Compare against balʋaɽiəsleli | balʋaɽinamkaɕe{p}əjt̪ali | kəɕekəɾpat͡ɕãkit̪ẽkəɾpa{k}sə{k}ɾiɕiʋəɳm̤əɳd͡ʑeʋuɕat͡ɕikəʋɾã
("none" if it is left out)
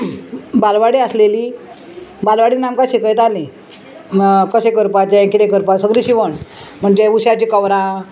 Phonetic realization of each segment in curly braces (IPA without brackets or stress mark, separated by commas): k, none, ɡ